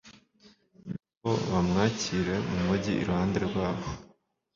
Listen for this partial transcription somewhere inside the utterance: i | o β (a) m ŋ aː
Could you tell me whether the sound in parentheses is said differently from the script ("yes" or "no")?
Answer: no